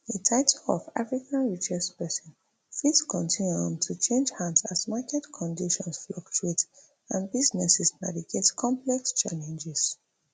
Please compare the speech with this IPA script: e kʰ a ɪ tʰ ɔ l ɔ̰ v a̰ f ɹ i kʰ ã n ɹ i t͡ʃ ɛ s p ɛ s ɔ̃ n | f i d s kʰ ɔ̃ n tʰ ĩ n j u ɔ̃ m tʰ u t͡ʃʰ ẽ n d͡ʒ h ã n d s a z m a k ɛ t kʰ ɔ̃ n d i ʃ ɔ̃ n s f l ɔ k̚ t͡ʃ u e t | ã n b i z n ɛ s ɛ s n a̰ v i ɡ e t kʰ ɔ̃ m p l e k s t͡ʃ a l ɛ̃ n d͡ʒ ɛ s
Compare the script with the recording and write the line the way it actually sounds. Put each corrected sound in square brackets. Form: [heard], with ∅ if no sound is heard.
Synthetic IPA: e [tʰ] a ɪ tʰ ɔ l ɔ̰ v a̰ f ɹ i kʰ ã n ɹ i t͡ʃ ɛ s p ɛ s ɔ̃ n | f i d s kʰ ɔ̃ n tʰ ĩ n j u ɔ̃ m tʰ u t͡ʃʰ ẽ n d͡ʒ h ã n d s a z m a k ɛ t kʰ ɔ̃ n d i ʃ ɔ̃ n s f l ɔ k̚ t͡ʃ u e t | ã n b i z n ɛ s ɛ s n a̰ v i ɡ e t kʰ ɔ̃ m p l [ɛ] k s t͡ʃ a l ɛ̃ n d͡ʒ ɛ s